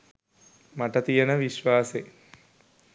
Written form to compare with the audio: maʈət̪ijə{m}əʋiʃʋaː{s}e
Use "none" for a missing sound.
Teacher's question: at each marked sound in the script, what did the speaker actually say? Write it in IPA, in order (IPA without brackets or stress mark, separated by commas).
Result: n, s